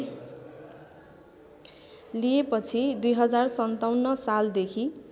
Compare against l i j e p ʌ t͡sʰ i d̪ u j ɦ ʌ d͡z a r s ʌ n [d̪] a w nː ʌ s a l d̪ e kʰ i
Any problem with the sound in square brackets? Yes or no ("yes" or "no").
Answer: yes